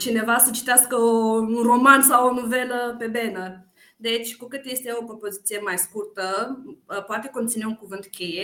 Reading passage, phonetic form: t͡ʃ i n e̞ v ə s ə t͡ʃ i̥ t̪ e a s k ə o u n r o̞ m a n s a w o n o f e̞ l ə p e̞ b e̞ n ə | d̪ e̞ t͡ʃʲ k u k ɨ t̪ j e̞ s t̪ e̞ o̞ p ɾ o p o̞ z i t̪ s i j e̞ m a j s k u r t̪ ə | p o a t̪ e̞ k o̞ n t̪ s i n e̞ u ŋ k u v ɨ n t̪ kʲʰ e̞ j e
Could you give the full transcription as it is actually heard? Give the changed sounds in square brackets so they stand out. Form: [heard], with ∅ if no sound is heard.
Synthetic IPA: t͡ʃ i n e̞ v [a] s ə t͡ʃ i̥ t̪ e a s k ə o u n r o̞ m a n s a w o n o [v] e̞ l ə p e̞ b e̞ n ə | d̪ e̞ t͡ʃʲ k u k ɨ t̪ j e̞ s t̪ e̞ o̞ p ɾ o p o̞ z i t̪ s i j e̞ m a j s k u r t̪ ə | p o a t̪ e̞ k o̞ n t̪ s i n e̞ u ŋ k u v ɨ n t̪ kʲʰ e̞ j e